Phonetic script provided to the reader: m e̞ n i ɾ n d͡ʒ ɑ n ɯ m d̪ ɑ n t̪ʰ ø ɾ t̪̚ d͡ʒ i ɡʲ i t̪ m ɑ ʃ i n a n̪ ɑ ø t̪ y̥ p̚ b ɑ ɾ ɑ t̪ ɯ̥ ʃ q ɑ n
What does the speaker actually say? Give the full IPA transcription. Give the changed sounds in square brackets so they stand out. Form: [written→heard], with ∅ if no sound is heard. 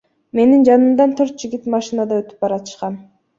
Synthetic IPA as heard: m e̞ n i [ɾ→∅] n d͡ʒ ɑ n ɯ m d̪ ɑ n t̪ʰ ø ɾ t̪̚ d͡ʒ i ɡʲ i t̪ m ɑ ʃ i n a [n̪→d̪] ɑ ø t̪ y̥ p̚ b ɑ ɾ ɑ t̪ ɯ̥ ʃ q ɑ n